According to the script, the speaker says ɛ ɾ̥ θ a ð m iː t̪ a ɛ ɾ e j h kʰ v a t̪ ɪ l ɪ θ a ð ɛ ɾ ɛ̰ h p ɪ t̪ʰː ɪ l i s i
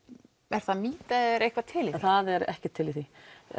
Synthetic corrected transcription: ɛ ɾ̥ θ a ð m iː t̪ a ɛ ɾ e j h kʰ v a t̪ʰ ɪ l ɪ θ a ð ɛ ɾ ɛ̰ h c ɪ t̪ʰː ɪ l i θ i